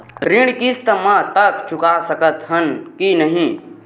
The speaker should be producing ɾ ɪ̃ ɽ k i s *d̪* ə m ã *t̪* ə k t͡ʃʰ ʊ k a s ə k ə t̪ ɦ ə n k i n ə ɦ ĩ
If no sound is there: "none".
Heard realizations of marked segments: t̪, t̪

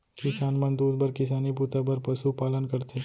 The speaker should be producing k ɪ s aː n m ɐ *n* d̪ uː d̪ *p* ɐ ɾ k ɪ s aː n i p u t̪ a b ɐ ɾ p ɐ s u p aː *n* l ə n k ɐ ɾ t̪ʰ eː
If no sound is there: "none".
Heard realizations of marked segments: n, b, none

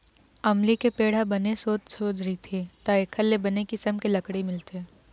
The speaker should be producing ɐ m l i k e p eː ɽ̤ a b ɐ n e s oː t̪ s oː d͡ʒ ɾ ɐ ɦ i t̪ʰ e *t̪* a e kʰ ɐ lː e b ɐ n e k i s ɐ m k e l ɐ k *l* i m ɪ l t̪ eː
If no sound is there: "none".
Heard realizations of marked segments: t̪, ɽ

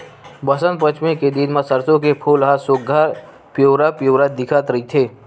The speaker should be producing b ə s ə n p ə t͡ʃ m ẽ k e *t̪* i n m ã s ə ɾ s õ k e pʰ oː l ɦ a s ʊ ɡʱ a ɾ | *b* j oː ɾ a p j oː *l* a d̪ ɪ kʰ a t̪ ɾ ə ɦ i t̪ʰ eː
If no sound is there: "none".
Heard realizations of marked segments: d̪, p, ɾ

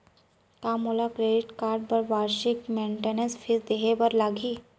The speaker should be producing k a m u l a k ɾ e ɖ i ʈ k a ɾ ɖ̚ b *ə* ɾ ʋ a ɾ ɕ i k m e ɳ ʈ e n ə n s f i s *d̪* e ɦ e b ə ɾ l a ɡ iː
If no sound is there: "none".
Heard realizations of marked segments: ə, d̪

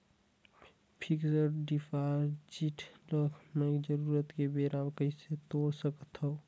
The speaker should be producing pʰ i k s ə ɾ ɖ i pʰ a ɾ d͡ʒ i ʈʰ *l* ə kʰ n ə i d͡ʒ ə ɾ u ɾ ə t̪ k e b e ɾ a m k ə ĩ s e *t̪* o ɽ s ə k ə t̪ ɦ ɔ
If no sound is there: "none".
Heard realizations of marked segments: l, t̪

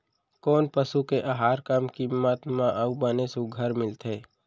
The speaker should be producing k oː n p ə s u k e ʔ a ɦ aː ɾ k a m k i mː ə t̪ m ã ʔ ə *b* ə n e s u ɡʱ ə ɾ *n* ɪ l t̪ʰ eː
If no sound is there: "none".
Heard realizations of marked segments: b, m

